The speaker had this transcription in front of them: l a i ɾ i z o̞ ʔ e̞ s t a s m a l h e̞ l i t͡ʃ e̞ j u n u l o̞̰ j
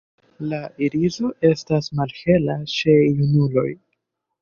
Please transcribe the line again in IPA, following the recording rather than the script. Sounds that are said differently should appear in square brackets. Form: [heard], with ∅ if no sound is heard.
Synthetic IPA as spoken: l a i ɾ i z o̞ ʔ e̞ s t a s m a l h e̞ l [a] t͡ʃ e̞ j u n u l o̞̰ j

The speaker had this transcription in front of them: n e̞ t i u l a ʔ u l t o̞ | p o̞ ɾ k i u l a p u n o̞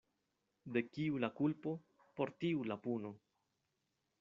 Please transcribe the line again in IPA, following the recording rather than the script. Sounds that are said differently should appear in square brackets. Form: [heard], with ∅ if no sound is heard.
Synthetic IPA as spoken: [d] e̞ [k] i u l a [k] u l [p] o̞ | p o̞ ɾ [t] i u l a p u n o̞

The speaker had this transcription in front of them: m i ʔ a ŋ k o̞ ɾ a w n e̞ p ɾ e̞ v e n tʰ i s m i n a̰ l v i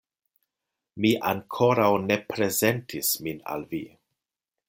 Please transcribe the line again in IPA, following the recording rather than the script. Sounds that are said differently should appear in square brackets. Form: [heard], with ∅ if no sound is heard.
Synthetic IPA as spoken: m i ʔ a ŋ [kʰ] o̞ ɾ a w n e̞ p ɾ e̞ [z] e n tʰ i s m i n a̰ l v i

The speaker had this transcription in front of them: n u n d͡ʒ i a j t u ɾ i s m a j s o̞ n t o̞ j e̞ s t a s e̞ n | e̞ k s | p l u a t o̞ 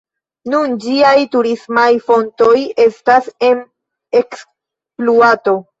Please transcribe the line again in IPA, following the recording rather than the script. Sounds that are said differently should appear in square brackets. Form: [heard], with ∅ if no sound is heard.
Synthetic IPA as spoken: n u n d͡ʒ i a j t u ɾ i s m a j [f] o̞ n t o̞ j e̞ s t a s e̞ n | e̞ k s | p l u a t o̞

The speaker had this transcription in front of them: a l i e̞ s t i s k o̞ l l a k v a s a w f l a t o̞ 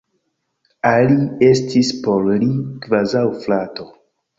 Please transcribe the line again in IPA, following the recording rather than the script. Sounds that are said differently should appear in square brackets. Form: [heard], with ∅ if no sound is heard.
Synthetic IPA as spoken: a l i e̞ s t i s [p] o̞ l l [i] k v a [z] a w f l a t o̞

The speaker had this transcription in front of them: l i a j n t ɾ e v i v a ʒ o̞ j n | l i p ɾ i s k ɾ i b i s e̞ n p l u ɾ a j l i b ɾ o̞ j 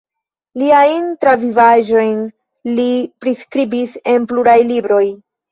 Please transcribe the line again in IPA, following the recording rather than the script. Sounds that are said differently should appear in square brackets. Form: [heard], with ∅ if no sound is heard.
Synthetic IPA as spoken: l i a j n t ɾ [a] v i v a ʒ o̞ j n | l i p ɾ i s k ɾ i b i s e̞ n p l u ɾ a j l i b ɾ o̞ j

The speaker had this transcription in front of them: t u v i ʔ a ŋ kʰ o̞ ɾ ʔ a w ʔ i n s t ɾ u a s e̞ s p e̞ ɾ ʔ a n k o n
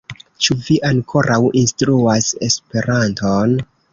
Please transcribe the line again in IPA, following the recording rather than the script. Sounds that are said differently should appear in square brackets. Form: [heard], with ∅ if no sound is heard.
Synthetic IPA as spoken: [t͡ʃ] u v i ʔ a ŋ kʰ o̞ ɾ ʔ a w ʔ i n s t ɾ u a s e̞ s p e̞ ɾ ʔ a n [t] o n

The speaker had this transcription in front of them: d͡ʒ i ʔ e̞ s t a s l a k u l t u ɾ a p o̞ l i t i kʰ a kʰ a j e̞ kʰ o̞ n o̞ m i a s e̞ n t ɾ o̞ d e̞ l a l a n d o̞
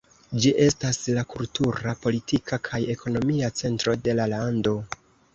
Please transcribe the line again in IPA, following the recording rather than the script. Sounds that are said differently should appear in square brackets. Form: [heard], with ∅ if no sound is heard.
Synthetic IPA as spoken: d͡ʒ i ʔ e̞ s t a s l a k u l t u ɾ a p o̞ l i t i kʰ a kʰ a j e̞ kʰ o̞ n o̞ m i a [t͡s] e̞ n t ɾ o̞ d e̞ l a l a n d o̞

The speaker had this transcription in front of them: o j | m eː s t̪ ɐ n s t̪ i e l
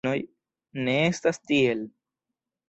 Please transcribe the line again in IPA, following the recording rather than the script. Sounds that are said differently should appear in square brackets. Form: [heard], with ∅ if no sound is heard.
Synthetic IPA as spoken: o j | [n] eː s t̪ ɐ [∅] s t̪ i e l

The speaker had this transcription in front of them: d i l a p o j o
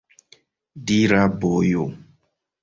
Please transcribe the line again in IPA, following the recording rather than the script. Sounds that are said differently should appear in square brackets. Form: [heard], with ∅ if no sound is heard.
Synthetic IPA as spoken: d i [ɾ] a [b] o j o

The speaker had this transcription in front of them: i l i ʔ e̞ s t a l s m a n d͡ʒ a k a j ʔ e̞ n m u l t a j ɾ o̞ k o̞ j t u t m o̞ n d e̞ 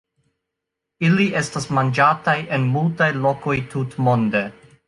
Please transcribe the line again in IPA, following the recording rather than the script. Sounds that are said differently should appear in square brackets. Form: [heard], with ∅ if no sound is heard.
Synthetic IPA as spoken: i l i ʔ e̞ s t a [∅] s m a n d͡ʒ a [t] a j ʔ e̞ n m u l t a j [l] o̞ k o̞ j t u t m o̞ n d e̞

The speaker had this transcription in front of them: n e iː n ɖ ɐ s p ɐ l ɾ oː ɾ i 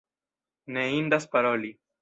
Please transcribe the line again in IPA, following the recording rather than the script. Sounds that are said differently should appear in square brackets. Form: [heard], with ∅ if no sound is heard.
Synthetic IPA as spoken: n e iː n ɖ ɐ s p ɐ [∅] ɾ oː [l] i

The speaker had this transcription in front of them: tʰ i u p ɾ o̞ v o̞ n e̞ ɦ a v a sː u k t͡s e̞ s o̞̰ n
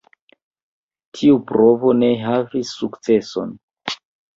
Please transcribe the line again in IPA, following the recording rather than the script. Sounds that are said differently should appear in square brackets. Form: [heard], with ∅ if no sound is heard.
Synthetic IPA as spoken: tʰ i u p ɾ o̞ v o̞ n e̞ ɦ a v [i] sː u k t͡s e̞ s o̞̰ n

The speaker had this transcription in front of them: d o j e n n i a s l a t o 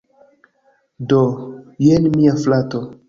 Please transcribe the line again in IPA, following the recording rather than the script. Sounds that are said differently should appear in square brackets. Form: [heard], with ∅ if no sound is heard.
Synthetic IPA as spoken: d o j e n [m] i a [f] l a t o

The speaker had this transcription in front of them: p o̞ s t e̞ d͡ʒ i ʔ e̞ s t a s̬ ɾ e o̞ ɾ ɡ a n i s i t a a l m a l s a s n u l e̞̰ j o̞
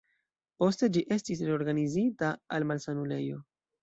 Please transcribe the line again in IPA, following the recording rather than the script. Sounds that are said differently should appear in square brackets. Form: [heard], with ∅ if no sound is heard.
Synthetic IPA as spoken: p o̞ s t e̞ d͡ʒ i ʔ e̞ s t [i] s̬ ɾ e o̞ ɾ ɡ a n i [z] i t a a l m a l s a [∅] n u l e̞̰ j o̞

